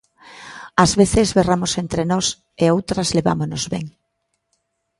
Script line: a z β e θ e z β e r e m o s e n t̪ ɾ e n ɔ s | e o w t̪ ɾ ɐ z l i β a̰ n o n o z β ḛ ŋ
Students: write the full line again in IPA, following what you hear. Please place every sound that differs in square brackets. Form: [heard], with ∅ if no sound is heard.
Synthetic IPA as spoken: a z β e θ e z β e r [a] m o s e n t̪ ɾ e n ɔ s | e o w t̪ ɾ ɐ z l [e] β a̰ [m] o n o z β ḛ ŋ